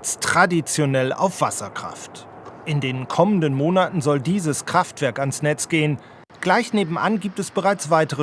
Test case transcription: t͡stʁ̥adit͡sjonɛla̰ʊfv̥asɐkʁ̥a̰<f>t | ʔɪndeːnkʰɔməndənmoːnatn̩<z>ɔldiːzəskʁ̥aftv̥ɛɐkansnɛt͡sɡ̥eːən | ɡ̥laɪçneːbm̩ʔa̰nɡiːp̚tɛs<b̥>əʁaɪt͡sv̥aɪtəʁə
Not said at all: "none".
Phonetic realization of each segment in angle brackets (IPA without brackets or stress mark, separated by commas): f, z, b̥